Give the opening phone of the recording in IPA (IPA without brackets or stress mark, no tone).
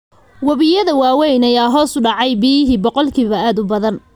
w